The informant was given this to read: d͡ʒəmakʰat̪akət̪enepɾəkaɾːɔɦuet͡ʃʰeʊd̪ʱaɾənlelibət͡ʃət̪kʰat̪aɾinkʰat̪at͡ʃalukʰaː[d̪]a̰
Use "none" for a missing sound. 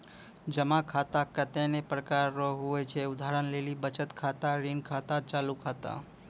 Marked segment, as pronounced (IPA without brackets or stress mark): t̪